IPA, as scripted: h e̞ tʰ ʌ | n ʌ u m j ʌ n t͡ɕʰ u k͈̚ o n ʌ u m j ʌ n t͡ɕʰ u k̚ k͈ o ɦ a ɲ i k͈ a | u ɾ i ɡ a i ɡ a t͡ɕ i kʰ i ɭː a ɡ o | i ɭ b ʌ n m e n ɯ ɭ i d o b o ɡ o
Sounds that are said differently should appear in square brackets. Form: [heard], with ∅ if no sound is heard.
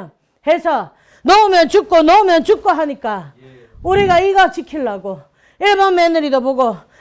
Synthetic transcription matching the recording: h e̞ [sʰ] ʌ | n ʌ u m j ʌ n [t͡ɕ] u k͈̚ o n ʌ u m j ʌ n [t͡ɕ] u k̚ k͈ o ɦ a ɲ i k͈ a | u ɾ i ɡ a i ɡ a t͡ɕ i kʰ i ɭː a ɡ o | i ɭ b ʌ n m e n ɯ [ɾ] i d o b o ɡ o